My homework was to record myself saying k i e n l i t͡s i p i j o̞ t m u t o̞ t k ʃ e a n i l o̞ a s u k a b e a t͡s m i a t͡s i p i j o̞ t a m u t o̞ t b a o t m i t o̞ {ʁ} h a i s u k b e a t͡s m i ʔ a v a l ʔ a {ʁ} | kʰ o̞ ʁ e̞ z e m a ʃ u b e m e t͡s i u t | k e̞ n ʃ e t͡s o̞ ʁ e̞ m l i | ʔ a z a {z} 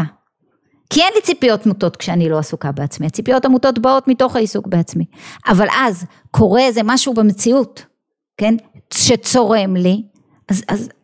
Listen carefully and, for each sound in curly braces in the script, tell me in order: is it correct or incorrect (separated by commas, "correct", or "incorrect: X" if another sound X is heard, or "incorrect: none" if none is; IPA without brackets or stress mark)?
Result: incorrect: χ, incorrect: z, correct